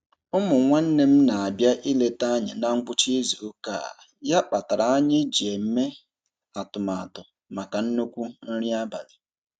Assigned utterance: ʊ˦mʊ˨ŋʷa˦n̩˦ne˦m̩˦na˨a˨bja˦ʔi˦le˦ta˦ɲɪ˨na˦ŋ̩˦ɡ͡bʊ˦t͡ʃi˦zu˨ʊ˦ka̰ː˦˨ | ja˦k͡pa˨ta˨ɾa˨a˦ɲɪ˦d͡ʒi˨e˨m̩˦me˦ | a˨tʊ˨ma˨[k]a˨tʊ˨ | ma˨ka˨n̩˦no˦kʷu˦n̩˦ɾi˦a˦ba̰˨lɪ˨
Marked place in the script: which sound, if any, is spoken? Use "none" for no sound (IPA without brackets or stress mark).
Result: none